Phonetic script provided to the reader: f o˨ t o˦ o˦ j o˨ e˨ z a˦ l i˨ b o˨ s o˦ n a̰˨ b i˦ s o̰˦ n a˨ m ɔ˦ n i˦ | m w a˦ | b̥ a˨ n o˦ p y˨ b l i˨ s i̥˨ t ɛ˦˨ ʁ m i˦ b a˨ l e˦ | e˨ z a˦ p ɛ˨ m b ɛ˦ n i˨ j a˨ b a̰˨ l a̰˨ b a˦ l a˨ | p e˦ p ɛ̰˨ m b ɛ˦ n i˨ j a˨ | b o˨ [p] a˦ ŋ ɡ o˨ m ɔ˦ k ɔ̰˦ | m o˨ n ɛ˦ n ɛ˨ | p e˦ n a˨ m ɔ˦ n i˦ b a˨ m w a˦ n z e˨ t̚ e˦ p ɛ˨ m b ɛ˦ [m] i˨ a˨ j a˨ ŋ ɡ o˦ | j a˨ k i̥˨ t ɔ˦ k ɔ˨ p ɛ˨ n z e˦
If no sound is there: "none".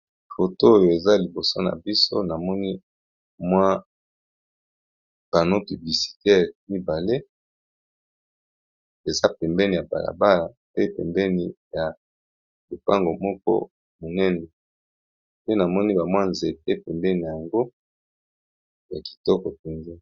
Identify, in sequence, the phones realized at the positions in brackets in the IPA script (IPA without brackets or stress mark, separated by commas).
p, n